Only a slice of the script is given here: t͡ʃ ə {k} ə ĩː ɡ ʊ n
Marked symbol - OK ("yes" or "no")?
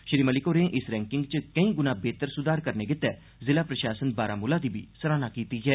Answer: yes